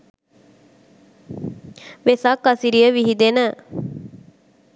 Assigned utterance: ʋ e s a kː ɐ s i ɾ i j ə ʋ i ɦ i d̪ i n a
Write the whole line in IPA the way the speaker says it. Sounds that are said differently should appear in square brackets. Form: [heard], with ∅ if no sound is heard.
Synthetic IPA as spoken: ʋ e s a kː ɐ s i ɾ i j ə ʋ i ɦ i d̪ [e] n [ə]